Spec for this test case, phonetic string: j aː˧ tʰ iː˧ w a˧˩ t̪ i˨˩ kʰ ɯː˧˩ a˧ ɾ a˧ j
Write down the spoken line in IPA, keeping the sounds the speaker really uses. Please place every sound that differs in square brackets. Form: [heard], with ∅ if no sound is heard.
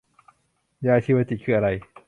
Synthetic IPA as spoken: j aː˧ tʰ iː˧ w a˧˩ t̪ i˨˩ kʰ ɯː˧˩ a˧ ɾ a˧ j